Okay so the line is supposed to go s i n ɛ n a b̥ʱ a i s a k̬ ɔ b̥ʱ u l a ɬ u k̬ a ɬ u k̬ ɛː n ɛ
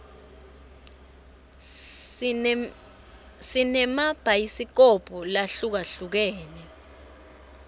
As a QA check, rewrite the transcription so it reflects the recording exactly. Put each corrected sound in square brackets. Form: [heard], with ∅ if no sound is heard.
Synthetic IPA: s i n ɛ [m] a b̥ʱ a i s [i] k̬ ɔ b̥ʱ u l a ɬ u k̬ a ɬ u k̬ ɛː n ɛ

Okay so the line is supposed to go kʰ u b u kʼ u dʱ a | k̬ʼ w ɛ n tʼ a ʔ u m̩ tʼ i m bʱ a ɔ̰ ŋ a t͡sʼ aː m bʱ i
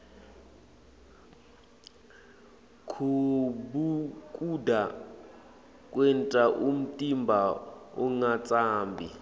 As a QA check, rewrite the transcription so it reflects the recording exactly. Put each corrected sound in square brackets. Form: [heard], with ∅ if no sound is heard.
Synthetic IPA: kʰ u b u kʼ u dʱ a | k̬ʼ w ɛ n tʼ a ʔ u m̩ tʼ i m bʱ a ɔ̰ ŋ a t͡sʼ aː m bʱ i

